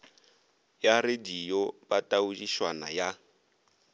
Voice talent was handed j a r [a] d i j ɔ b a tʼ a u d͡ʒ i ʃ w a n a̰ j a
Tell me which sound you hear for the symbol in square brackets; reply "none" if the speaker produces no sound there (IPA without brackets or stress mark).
e